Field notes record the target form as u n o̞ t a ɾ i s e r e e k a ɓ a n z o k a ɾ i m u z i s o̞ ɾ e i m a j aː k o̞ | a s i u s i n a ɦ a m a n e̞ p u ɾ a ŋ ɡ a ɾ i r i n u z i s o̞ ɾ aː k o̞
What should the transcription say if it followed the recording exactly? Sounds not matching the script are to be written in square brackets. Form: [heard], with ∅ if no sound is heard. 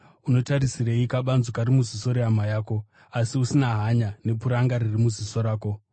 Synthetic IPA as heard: u n o̞ t a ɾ i s [i] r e [i] k a ɓ a n z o k a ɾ i m u z i s o̞ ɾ e [a] m a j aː k o̞ | a s i u s i n a ɦ a [ɲ] a n e̞ p u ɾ a ŋ ɡ a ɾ i r i [m] u z i s o̞ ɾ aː k o̞